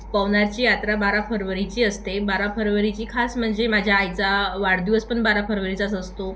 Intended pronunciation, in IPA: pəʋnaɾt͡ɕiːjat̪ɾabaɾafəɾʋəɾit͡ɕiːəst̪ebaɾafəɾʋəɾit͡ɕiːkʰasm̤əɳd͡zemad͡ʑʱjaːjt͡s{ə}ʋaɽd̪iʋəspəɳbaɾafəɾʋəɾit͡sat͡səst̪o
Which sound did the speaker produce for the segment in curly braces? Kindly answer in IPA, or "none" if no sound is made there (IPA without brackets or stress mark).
a